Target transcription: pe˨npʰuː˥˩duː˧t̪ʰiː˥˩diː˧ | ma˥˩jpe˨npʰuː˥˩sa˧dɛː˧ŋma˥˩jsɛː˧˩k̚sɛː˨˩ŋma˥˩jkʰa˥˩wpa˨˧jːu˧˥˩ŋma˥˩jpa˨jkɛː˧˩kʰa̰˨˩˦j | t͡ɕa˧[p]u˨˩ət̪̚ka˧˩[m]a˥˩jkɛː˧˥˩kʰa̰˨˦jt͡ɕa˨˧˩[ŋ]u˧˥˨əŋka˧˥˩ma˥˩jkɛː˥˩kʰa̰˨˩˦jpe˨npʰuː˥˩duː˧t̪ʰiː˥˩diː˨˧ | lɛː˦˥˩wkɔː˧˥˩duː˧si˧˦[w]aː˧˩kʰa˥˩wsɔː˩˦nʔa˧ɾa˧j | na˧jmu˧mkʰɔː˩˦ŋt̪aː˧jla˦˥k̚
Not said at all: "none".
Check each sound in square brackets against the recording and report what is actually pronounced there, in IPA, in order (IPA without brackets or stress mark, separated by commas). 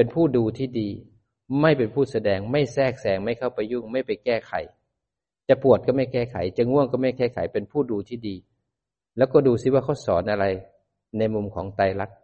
p, m, ŋ, w